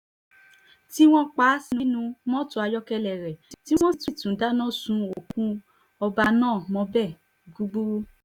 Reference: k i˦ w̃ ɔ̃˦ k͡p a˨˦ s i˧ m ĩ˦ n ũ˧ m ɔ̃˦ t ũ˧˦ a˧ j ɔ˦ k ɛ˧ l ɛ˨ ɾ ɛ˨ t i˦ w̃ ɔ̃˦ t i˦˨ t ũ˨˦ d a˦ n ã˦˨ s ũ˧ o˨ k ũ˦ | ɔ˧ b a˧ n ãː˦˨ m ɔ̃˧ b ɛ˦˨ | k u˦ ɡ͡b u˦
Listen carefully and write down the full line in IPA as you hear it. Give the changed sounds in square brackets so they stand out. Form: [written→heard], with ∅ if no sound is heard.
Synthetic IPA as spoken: [k→t] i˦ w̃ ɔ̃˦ k͡p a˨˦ s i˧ [m→n] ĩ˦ n ũ˧ m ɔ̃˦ t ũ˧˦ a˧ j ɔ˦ k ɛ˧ l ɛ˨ ɾ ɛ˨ t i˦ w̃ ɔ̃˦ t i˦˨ t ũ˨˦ d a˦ n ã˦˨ s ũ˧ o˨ k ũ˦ | ɔ˧ b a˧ n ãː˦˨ m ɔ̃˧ b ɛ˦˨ | [k→ɡ] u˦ ɡ͡b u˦

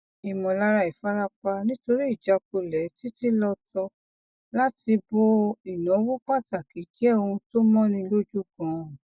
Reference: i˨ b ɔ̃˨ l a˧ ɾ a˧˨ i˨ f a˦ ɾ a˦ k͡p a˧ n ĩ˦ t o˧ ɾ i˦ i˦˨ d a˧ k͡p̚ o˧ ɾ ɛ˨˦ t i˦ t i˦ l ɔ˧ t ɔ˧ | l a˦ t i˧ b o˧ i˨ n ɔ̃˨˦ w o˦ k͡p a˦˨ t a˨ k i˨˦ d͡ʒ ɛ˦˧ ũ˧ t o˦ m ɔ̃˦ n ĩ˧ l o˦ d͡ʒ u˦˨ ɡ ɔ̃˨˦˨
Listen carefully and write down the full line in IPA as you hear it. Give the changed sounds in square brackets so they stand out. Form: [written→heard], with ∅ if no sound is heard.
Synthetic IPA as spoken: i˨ [b→m] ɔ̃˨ l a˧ ɾ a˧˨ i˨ f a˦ ɾ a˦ k͡p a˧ n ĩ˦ t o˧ ɾ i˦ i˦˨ [d→d͡ʒ] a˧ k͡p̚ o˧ [ɾ→l] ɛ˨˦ t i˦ t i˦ l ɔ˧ t ɔ˧ | l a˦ t i˧ b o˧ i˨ n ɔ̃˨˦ w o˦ k͡p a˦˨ t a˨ k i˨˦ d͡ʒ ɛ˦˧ ũ˧ t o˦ m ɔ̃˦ n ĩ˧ l o˦ d͡ʒ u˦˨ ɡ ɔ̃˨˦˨

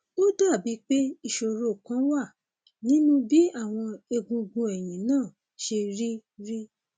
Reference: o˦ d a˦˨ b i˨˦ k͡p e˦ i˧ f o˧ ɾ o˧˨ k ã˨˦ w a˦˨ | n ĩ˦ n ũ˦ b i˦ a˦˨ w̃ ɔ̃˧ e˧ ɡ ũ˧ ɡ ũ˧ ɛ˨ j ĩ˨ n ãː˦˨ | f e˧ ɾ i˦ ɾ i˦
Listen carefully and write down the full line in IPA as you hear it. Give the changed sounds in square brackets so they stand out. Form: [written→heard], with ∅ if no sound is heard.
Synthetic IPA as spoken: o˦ d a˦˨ b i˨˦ k͡p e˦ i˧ [f→ʃ] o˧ ɾ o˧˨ k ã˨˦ w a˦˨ | n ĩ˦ n ũ˦ b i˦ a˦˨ w̃ ɔ̃˧ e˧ ɡ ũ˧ ɡ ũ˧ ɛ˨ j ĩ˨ n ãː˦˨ | [f→ʃ] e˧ ɾ i˦ ɾ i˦

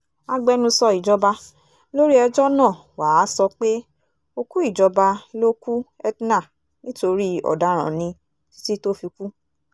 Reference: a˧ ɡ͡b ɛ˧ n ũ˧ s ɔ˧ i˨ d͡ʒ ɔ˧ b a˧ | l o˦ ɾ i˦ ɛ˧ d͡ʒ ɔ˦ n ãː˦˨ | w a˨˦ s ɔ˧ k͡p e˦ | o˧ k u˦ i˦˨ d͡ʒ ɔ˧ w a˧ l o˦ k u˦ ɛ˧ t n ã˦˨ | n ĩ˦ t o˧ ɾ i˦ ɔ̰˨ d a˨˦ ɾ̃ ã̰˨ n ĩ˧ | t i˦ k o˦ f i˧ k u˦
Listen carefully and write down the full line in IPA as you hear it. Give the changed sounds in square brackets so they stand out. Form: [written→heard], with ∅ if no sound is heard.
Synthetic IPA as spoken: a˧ ɡ͡b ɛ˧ n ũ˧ s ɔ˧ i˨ d͡ʒ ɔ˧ b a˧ | l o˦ ɾ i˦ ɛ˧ d͡ʒ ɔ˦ n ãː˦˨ | w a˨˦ s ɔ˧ k͡p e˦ | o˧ k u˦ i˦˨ d͡ʒ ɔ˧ [w→b] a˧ l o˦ k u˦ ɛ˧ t n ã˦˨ | n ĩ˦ t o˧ ɾ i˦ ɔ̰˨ d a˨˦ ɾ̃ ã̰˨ n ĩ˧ | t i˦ [k→t] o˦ f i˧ k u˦

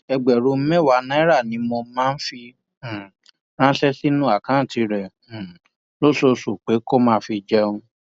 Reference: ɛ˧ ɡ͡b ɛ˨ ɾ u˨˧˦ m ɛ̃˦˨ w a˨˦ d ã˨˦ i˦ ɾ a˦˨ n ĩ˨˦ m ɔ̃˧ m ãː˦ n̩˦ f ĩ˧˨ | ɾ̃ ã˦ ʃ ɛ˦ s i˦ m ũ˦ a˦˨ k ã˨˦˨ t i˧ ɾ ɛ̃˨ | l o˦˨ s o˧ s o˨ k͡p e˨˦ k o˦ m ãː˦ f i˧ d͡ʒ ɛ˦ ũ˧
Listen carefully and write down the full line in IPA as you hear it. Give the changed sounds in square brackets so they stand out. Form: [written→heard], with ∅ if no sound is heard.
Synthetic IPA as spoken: ɛ˧ ɡ͡b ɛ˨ ɾ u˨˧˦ m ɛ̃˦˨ w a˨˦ [d→n] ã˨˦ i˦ ɾ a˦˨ n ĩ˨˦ m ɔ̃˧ m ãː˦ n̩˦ f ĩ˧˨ | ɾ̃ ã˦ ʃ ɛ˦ s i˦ [m→n] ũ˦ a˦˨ k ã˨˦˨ t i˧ ɾ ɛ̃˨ | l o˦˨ s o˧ s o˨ k͡p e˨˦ k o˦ m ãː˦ f i˧ d͡ʒ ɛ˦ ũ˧

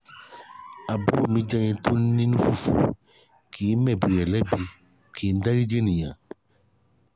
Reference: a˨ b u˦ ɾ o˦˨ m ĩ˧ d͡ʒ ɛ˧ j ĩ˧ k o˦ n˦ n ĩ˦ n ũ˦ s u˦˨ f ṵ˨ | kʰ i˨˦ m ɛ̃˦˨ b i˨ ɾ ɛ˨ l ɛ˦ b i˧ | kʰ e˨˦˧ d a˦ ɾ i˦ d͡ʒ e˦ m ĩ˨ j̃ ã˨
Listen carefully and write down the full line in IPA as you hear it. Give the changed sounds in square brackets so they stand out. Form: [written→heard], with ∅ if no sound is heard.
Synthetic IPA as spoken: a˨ b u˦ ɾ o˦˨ m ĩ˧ d͡ʒ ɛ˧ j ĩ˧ [k→t] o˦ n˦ n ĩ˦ n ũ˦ [s→f] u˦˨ f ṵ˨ | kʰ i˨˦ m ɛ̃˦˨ b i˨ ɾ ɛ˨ l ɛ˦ b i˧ | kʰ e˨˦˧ d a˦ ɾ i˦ d͡ʒ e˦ [m→n] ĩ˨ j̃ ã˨

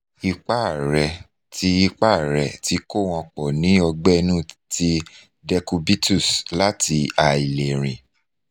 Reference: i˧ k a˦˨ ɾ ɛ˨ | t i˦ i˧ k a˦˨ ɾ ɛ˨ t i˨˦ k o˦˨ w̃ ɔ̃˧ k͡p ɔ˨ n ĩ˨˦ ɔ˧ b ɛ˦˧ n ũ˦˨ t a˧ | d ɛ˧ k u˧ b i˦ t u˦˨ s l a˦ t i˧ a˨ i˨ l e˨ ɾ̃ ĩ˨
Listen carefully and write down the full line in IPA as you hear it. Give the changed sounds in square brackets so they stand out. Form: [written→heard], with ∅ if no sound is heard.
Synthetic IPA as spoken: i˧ [k→k͡p] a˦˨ ɾ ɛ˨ | t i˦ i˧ [k→k͡p] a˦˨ ɾ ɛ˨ t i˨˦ k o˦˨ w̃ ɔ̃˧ k͡p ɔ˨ n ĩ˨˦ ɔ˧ [b→ɡ͡b] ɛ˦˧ n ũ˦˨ t [a˧→i˧] | d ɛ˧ k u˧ b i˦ t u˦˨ s l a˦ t i˧ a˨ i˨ l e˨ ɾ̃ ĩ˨

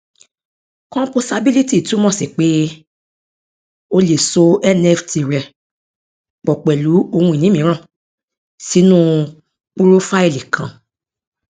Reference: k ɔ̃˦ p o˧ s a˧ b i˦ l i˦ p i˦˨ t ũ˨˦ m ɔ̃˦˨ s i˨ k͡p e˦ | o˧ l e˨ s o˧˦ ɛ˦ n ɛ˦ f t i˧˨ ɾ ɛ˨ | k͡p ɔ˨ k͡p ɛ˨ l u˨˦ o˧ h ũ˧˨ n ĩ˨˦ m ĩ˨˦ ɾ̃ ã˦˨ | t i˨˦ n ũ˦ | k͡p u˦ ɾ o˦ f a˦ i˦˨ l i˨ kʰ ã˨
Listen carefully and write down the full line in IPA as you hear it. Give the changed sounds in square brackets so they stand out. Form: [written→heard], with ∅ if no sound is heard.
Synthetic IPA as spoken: k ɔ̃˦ p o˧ s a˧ b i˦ l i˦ [p→t] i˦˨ t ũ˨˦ m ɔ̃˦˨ s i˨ k͡p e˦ | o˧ l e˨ s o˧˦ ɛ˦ n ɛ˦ f t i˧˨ ɾ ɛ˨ | k͡p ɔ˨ k͡p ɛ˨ l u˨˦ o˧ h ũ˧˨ n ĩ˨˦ m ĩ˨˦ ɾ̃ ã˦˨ | [t→s] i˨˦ n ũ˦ | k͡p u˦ ɾ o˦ f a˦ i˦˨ l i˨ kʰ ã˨

